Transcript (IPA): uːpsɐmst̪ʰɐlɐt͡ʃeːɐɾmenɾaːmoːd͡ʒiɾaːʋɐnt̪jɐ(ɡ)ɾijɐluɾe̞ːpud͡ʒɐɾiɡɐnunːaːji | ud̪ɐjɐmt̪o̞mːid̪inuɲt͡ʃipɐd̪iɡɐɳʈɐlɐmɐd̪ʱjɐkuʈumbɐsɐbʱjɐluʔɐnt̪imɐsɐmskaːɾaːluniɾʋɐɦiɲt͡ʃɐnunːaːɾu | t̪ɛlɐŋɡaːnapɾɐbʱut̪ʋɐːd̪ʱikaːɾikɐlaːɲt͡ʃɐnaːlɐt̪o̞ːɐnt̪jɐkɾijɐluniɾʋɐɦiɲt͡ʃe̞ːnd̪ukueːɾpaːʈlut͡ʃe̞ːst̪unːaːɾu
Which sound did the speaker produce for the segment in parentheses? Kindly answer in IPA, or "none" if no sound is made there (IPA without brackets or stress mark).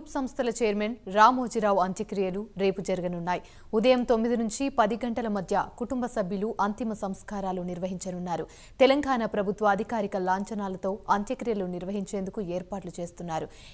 k